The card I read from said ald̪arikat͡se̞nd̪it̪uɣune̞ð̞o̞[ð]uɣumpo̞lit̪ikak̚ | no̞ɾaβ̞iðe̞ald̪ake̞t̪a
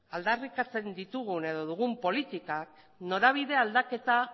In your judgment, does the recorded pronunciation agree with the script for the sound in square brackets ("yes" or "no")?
yes